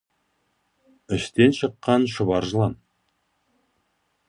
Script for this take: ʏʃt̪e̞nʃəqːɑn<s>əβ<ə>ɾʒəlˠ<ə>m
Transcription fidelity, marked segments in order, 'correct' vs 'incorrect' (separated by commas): incorrect, incorrect, incorrect